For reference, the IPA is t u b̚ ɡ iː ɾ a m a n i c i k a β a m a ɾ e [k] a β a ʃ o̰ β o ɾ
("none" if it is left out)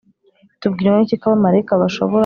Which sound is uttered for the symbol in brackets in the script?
k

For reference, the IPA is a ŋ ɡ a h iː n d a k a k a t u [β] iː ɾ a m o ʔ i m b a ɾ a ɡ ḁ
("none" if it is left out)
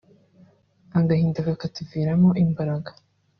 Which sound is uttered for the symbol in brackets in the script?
v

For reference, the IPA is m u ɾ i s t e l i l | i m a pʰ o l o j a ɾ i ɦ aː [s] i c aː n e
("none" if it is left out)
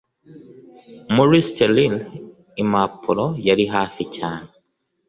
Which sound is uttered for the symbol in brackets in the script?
f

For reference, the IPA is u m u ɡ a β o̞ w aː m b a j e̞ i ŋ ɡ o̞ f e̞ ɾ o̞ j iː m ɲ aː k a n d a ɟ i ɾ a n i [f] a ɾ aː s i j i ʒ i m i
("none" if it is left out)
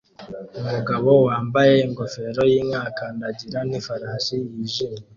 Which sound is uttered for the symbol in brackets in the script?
f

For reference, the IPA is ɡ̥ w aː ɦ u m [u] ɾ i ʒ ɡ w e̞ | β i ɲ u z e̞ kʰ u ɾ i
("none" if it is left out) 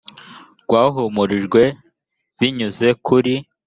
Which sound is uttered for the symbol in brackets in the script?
u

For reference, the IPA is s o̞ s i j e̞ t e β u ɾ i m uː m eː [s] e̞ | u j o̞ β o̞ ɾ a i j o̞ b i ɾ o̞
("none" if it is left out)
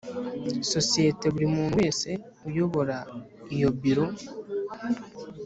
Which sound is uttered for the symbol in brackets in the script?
s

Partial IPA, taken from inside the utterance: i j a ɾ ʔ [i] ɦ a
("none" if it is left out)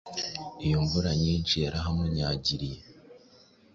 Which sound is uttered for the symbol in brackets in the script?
a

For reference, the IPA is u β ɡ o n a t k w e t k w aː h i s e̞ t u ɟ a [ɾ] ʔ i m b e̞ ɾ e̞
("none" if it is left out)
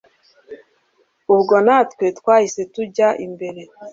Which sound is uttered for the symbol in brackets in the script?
none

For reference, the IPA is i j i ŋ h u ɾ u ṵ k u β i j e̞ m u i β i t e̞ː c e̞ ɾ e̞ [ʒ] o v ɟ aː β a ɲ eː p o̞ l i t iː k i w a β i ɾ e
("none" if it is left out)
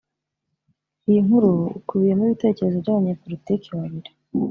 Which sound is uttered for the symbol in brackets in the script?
z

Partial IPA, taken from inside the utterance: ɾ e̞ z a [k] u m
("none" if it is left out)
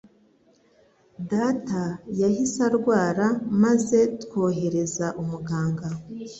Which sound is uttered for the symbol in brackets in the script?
ʔ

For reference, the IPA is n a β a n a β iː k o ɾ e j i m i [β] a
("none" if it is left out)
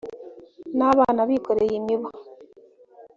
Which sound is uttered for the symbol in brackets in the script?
β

